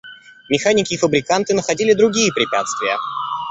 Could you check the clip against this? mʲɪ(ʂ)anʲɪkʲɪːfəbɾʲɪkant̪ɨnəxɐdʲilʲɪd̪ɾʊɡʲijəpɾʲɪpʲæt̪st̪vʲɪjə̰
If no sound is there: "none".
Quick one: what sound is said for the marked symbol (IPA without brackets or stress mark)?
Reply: x